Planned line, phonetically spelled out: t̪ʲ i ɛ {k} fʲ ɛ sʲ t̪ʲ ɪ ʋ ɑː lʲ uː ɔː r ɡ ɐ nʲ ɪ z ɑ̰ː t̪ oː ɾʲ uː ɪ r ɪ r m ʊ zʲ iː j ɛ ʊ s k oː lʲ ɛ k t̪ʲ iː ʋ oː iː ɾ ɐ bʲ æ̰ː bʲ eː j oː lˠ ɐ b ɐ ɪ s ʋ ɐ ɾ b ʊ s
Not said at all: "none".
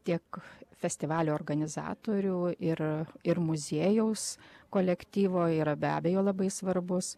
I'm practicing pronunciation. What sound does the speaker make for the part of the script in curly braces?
k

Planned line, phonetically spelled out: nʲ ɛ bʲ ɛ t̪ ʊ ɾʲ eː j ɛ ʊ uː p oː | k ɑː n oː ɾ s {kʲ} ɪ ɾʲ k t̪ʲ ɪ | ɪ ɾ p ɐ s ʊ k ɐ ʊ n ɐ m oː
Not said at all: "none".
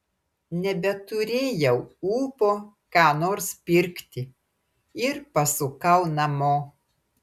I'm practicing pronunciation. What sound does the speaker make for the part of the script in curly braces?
pʲ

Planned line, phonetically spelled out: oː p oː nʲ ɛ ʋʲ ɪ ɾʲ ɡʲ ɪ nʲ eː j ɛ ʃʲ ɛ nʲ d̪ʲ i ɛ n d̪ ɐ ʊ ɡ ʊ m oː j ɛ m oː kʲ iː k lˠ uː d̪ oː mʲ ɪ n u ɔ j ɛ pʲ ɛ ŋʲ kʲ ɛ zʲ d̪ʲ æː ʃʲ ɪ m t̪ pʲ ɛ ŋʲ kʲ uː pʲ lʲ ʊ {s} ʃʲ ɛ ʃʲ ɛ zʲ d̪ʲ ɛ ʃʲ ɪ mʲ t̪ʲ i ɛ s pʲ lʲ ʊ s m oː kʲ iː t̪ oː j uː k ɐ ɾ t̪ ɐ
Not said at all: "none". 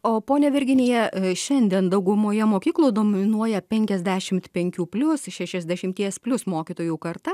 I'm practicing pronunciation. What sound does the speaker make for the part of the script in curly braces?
s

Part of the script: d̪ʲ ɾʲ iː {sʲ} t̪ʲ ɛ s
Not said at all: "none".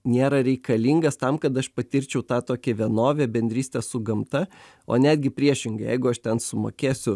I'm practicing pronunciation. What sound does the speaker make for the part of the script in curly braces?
sʲ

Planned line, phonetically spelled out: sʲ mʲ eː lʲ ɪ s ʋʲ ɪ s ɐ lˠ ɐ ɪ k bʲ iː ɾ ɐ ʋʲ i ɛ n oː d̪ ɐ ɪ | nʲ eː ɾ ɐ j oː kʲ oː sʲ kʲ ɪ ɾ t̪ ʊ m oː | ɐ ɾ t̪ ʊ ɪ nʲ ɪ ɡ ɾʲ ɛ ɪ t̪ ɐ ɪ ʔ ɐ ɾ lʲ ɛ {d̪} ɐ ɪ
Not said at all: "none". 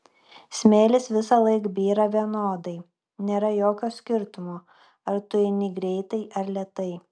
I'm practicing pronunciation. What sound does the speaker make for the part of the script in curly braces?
t̪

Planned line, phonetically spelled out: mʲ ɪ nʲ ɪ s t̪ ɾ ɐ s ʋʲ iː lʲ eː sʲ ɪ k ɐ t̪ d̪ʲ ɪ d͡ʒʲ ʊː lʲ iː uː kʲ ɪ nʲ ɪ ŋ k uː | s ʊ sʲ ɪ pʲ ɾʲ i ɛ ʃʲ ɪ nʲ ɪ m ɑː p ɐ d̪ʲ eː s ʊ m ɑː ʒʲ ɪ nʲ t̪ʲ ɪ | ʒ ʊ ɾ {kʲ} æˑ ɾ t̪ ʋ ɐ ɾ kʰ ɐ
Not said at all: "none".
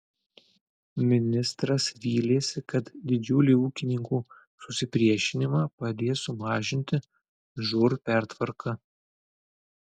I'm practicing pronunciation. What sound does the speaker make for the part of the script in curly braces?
pʲ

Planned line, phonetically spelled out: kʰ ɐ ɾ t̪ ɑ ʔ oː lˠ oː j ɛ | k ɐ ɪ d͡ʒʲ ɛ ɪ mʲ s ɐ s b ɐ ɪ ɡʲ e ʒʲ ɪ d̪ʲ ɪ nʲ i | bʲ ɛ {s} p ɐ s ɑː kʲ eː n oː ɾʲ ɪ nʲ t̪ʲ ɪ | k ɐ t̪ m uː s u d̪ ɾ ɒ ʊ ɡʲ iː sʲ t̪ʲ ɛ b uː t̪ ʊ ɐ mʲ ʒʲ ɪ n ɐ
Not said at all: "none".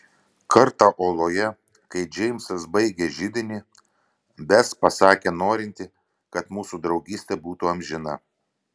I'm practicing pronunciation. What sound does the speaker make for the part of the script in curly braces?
s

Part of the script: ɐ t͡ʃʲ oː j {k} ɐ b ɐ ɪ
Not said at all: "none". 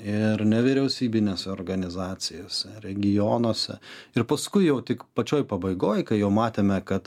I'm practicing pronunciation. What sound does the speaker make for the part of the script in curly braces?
p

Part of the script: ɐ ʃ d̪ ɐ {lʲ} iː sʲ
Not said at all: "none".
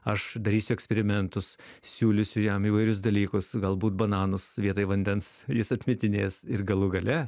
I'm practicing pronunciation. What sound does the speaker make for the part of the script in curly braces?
ɾʲ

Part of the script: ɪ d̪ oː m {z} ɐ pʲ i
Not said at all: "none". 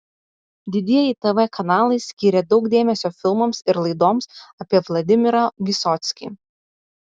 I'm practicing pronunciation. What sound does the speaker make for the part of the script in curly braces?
s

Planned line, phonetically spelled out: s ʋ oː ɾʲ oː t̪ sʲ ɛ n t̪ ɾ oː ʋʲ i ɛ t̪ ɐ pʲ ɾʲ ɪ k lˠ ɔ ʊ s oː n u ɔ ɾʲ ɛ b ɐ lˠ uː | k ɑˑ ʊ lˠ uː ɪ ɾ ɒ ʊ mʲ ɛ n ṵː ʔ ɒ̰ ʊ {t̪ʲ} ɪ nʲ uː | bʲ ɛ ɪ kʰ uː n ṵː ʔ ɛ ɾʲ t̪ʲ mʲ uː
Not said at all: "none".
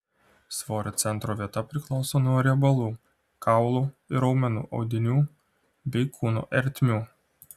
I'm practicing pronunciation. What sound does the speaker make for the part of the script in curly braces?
d̪ʲ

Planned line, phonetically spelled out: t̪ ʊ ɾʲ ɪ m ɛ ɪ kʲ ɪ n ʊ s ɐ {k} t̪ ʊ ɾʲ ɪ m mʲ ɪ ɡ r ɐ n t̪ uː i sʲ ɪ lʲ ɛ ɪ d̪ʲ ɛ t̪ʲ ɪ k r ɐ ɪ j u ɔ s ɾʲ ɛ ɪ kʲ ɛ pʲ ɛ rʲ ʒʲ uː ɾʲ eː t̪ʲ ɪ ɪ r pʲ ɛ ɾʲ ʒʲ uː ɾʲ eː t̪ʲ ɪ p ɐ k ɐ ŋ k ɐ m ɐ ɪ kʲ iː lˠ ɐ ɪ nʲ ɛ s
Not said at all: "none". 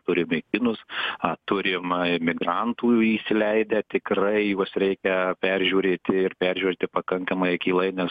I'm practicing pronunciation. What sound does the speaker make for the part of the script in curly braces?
none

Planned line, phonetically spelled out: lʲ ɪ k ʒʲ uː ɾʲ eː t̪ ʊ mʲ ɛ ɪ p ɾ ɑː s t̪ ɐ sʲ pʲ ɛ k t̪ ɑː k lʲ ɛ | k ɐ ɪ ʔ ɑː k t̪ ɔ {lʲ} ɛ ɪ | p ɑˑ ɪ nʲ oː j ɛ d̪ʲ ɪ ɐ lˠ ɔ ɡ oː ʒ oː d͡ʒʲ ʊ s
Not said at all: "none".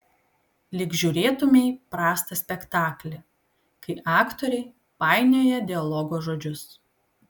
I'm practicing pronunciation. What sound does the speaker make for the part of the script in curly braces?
ɾʲ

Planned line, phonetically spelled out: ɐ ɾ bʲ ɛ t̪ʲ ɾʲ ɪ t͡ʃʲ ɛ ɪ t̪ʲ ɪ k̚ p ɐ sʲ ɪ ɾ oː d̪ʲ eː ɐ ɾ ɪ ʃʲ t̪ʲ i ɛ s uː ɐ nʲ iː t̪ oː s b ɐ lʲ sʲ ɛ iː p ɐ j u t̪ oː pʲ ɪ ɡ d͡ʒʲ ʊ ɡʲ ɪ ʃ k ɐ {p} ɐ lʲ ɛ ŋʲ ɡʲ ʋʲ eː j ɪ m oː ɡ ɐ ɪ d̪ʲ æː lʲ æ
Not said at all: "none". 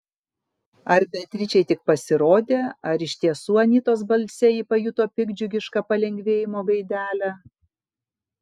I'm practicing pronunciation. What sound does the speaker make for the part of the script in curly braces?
p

